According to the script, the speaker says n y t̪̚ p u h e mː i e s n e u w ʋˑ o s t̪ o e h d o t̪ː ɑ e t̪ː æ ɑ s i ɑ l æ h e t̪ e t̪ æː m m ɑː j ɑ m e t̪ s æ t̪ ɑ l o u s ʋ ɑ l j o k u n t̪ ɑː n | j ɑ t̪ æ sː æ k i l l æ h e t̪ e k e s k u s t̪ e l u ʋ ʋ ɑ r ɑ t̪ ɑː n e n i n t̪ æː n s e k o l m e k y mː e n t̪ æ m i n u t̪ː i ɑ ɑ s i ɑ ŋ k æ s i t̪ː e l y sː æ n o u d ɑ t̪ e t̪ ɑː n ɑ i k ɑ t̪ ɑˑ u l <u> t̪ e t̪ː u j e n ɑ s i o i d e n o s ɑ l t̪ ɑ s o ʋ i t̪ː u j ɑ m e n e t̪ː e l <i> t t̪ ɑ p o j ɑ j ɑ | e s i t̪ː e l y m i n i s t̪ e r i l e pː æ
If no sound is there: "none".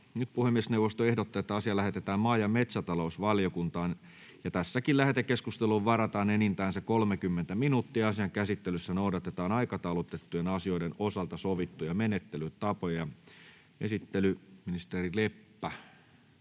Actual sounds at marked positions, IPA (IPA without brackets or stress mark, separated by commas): o, y